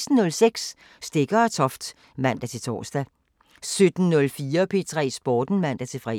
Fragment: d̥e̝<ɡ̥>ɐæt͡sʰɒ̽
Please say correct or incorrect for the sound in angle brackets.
correct